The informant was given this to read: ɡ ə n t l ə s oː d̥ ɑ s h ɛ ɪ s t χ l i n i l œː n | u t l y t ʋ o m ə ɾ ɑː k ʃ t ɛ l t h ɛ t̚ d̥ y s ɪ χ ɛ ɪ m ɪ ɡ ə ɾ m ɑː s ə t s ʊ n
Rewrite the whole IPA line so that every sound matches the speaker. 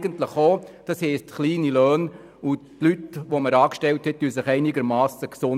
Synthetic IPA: ɡ ə n t l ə χ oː d̥ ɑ s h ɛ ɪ s t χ l iː n i l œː n | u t l y t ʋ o m ə ɾ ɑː k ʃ t ɛ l t h ɛ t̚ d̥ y s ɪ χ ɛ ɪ n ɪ ɡ ə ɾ m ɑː s ə k s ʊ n